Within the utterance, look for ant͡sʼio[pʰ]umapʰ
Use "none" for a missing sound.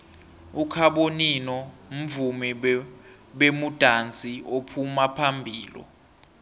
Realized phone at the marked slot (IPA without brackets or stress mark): pʰ